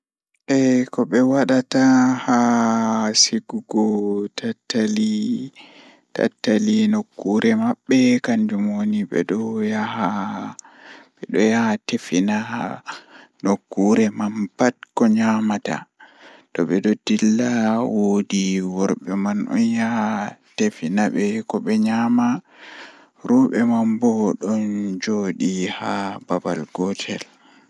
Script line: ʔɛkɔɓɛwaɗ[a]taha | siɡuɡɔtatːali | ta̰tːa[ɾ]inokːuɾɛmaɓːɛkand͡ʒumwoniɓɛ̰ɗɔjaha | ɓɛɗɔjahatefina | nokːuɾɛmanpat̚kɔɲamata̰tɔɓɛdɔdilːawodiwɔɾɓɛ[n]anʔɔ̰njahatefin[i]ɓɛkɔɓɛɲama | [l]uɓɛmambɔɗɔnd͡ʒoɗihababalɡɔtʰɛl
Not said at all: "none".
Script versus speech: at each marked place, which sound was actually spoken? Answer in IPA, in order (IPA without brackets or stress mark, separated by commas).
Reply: a, l, m, a, ɾ